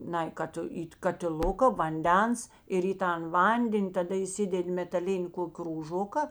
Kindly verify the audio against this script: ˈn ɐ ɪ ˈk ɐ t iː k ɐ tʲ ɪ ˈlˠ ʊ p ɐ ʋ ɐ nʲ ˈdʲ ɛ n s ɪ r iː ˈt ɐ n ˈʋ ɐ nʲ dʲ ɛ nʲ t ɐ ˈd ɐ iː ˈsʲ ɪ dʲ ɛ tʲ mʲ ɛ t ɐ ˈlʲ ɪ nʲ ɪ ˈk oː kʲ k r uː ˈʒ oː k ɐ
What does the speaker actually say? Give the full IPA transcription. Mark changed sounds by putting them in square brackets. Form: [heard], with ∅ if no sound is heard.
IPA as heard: ˈn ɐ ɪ ˈk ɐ t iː k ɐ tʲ ɪ ˈlˠ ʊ [k] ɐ ʋ ɐ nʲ ˈdʲ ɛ n s ɪ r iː ˈt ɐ n ˈʋ ɐ nʲ dʲ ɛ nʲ t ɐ ˈd ɐ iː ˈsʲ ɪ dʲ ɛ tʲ mʲ ɛ t ɐ ˈlʲ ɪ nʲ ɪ ˈk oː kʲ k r uː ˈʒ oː k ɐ